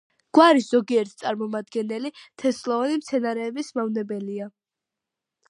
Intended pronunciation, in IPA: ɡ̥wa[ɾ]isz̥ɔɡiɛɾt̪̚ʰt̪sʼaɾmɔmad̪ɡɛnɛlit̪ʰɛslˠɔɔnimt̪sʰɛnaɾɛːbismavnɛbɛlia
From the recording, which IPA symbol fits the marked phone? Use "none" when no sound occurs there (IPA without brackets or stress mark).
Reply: ɾ